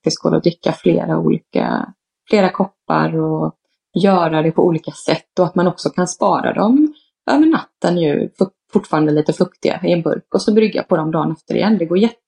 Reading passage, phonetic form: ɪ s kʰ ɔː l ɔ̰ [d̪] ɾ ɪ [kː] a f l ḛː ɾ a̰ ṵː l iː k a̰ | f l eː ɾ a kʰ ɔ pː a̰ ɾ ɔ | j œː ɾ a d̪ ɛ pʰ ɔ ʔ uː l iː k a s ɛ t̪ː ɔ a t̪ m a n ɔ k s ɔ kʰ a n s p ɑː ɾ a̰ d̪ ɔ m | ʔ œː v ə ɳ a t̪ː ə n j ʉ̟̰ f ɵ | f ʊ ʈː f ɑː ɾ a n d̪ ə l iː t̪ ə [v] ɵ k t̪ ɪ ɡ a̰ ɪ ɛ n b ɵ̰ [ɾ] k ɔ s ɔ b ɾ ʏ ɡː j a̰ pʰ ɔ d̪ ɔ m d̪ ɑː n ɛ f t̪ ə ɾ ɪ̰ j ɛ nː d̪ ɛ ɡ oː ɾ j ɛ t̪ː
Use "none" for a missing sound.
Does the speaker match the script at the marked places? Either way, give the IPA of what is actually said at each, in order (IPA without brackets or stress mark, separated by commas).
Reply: d̪, kː, f, ɾ